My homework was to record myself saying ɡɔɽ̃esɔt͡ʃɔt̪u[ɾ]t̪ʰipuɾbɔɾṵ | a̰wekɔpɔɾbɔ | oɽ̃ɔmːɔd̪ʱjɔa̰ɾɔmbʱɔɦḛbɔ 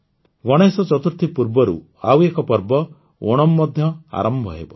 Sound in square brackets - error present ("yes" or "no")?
no